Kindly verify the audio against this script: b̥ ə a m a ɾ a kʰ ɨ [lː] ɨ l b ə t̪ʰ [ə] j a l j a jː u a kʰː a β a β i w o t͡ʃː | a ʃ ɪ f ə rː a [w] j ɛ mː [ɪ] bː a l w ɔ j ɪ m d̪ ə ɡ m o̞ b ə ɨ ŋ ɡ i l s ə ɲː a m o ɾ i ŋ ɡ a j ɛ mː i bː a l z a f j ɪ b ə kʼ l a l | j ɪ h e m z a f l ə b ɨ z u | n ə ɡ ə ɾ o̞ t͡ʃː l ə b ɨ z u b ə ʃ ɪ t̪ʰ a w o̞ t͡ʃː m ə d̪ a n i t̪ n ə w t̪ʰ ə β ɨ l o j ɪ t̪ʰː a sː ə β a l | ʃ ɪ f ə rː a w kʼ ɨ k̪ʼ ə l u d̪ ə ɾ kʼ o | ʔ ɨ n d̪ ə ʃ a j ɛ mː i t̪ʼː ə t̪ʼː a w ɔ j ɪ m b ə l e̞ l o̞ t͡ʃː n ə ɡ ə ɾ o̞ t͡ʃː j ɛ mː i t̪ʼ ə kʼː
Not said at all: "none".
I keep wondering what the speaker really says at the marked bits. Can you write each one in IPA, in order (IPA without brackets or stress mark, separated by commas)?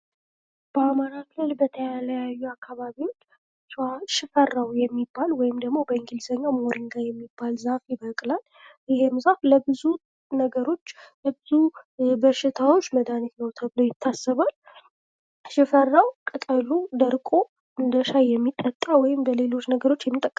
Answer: l, ə, w, i